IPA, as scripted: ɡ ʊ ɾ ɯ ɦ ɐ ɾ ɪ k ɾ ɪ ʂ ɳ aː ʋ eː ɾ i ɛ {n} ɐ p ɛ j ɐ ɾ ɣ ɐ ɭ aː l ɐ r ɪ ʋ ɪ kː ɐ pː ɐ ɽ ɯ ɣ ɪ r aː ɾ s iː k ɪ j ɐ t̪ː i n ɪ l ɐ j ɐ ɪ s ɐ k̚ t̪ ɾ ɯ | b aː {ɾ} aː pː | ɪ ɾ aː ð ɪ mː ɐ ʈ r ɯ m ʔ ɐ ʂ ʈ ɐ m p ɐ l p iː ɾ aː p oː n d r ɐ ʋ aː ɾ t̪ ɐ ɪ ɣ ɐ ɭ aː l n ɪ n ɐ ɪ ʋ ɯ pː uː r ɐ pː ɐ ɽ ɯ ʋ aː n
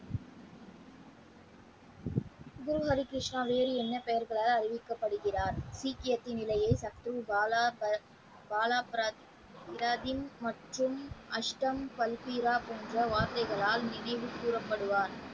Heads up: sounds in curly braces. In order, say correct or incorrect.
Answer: incorrect, incorrect

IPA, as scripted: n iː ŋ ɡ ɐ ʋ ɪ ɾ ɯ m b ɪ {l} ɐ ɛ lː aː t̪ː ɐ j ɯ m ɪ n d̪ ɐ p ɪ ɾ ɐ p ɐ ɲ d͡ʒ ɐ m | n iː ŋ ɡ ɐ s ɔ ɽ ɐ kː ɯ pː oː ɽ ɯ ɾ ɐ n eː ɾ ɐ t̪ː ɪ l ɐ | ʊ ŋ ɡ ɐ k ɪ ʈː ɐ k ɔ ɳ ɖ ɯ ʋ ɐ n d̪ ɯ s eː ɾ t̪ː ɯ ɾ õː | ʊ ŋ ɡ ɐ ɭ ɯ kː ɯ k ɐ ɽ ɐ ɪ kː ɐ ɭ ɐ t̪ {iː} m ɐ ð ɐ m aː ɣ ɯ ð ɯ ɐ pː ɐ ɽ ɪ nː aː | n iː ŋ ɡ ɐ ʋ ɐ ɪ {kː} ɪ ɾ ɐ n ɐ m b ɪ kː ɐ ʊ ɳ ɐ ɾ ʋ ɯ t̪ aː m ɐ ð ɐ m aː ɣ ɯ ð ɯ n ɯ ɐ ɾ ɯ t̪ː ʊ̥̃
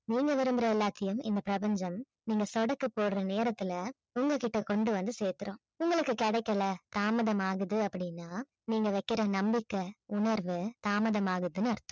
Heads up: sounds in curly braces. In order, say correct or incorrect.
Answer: incorrect, incorrect, correct

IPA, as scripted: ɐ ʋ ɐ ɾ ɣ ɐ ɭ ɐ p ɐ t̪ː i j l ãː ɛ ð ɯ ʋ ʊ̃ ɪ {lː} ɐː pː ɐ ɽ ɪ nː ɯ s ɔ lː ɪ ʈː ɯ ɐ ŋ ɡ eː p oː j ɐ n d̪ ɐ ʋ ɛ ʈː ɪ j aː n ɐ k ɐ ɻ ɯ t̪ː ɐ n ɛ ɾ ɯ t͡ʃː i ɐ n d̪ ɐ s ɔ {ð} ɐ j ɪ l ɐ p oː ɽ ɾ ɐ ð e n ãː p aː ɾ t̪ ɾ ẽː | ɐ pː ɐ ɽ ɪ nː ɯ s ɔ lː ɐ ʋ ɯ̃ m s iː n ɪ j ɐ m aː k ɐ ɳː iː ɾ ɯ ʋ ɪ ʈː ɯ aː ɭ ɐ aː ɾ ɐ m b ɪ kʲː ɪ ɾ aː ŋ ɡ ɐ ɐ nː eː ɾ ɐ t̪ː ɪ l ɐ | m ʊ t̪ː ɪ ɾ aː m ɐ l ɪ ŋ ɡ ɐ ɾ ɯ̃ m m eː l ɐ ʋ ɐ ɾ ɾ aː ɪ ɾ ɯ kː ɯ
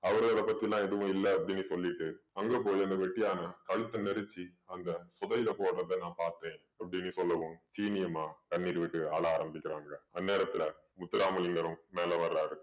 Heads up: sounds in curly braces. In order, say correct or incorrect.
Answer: correct, correct

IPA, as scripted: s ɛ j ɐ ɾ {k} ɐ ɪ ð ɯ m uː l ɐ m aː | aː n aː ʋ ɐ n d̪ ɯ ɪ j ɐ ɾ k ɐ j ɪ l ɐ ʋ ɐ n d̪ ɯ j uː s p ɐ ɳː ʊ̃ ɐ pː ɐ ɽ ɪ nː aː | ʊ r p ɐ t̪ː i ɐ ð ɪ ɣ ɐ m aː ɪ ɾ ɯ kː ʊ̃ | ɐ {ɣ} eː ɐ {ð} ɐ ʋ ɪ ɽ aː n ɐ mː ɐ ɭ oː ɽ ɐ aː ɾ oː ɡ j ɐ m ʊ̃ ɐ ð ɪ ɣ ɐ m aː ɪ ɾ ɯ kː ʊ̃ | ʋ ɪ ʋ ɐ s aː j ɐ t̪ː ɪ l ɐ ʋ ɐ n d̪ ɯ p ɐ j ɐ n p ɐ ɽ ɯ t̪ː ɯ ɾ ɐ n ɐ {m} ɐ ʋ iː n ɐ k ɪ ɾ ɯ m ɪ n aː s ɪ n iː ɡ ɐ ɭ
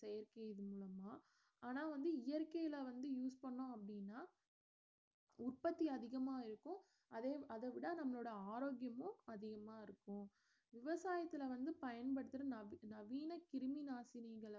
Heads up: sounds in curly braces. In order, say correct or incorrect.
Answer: correct, incorrect, correct, incorrect

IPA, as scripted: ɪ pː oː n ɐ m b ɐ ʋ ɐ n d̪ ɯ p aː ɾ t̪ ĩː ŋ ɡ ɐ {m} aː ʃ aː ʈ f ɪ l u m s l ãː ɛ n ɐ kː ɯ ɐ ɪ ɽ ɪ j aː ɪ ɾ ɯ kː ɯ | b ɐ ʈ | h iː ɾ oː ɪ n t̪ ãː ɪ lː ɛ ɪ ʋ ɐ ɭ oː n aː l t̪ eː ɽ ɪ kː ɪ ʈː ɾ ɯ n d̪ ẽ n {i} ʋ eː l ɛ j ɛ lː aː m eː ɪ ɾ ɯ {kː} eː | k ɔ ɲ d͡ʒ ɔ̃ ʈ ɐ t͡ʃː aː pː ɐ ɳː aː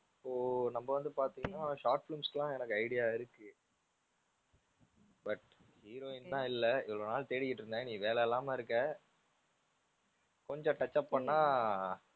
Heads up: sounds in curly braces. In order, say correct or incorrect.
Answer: incorrect, incorrect, correct

